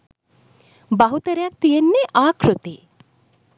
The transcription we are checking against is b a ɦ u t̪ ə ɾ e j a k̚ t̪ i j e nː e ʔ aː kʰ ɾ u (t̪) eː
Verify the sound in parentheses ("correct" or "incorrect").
correct